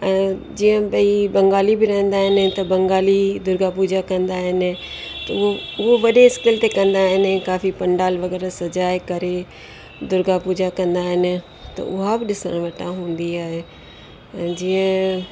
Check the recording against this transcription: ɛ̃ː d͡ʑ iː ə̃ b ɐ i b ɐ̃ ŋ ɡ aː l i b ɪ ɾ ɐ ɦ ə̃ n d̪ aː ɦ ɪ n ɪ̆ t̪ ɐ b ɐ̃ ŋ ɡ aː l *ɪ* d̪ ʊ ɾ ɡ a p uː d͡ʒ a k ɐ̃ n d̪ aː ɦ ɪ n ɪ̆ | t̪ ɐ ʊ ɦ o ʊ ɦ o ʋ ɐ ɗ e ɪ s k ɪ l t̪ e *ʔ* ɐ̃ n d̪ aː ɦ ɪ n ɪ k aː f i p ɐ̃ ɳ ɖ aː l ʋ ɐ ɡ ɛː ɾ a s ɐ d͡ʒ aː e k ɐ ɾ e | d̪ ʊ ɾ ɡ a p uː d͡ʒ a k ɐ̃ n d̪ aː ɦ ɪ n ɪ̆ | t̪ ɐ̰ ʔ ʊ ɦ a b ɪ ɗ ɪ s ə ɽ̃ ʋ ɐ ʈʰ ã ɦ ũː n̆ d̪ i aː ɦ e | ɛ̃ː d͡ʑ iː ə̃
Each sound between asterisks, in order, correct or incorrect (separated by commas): incorrect, incorrect